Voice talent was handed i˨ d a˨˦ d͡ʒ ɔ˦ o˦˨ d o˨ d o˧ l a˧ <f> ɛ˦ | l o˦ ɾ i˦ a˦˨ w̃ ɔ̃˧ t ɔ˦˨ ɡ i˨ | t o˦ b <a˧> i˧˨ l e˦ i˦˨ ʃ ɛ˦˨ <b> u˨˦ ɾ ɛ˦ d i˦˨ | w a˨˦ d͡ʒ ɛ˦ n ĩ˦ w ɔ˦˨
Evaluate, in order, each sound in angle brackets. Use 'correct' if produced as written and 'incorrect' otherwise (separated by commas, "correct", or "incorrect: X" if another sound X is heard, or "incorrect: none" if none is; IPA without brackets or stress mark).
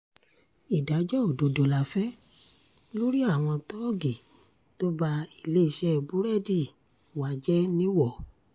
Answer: correct, correct, correct